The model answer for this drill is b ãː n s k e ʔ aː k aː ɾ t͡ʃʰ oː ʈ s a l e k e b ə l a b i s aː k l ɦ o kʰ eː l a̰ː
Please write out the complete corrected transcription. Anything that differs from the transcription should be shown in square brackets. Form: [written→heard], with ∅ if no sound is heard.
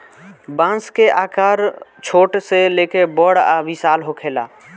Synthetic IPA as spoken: b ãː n s k e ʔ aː k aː ɾ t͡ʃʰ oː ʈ s [a→e] l e k e b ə [l→ɽ] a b i s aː [k→∅] l ɦ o kʰ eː l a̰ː